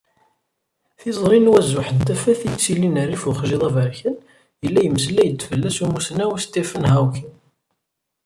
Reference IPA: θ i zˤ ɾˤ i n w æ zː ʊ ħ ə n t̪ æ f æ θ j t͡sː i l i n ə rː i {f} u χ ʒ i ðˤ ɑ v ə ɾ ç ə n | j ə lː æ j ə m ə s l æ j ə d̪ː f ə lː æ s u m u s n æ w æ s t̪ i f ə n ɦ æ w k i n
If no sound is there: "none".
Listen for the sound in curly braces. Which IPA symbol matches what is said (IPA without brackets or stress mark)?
f